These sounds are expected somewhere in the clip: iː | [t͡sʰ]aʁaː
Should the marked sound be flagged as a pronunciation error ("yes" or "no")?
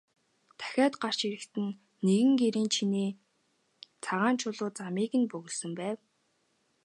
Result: no